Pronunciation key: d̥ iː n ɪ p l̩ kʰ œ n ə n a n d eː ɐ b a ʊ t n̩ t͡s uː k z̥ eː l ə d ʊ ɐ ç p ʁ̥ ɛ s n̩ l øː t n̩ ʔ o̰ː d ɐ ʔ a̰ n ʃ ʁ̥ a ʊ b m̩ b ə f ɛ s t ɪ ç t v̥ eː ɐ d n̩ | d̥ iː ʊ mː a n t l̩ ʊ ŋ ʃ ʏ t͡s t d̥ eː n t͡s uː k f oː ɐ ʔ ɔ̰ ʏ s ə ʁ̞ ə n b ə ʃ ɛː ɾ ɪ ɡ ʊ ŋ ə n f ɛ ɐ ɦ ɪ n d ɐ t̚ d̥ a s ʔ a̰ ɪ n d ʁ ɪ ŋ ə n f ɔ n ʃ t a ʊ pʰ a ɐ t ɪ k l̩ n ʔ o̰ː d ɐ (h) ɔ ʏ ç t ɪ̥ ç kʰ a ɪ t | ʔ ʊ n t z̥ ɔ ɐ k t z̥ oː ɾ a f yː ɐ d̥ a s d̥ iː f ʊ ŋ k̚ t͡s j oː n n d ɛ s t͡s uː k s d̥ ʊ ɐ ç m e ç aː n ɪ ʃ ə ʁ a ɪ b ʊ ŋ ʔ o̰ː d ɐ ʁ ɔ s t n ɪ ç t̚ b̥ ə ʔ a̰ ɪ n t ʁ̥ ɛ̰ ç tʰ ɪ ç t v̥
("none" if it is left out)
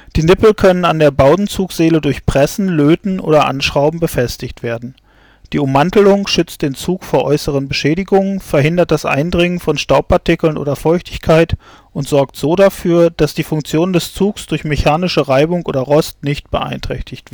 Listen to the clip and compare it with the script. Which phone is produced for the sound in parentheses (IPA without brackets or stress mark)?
f